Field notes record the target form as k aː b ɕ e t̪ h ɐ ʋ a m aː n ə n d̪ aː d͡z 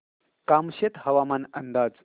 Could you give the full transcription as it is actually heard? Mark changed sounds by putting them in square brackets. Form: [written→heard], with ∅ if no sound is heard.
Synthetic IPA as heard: k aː [b→m] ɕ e t̪ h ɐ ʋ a m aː n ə n d̪ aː d͡z